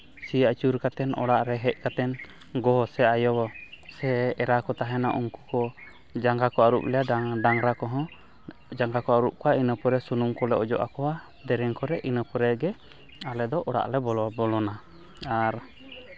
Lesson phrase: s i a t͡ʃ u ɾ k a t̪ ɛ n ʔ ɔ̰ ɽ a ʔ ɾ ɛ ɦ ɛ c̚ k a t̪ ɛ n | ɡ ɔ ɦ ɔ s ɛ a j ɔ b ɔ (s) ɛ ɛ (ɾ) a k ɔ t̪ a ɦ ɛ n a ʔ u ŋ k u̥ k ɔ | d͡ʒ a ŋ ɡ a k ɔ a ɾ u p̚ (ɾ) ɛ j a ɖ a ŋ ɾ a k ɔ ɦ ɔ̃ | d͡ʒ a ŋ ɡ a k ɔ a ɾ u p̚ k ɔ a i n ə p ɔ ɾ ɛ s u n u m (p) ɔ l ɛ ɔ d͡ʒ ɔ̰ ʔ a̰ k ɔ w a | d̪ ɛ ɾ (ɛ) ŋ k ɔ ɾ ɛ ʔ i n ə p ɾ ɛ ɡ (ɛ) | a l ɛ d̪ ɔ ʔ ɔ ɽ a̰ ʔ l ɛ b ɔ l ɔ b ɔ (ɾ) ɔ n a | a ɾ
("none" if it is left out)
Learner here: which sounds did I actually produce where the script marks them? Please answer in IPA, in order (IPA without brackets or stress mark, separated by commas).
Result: s, ɾ, l, k, ɛ, ɛ, l